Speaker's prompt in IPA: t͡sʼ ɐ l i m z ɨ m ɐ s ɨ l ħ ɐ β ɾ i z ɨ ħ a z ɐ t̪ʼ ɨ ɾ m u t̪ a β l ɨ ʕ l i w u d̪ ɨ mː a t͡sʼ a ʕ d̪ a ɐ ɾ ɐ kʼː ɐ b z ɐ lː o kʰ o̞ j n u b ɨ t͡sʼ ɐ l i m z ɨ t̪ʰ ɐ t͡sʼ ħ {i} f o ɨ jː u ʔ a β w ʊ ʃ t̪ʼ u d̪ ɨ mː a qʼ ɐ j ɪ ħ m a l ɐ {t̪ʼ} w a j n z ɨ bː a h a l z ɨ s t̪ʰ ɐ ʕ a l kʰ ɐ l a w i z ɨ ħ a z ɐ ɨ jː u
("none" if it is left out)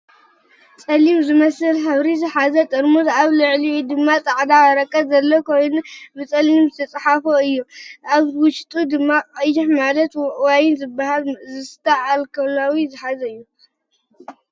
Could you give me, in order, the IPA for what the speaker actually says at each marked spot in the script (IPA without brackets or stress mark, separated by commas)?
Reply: a, t̪